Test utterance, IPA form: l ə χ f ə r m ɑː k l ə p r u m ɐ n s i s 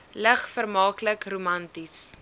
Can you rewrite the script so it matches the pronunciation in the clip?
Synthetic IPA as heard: l ə χ f ə r m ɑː k l ə k r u m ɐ n t i s